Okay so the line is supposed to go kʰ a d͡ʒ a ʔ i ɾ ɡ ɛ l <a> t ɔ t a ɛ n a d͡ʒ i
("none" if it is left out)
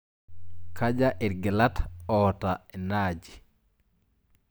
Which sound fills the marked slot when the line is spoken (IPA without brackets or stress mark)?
a